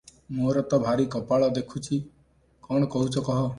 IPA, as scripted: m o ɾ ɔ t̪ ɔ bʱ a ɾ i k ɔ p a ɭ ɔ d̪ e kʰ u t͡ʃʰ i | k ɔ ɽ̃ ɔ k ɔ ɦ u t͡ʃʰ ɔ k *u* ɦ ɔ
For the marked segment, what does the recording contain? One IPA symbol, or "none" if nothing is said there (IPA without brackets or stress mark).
ɔ